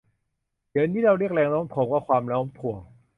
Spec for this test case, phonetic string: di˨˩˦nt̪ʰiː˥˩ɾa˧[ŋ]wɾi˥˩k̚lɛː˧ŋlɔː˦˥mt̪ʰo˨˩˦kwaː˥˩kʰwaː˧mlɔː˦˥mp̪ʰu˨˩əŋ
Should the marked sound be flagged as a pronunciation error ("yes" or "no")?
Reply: yes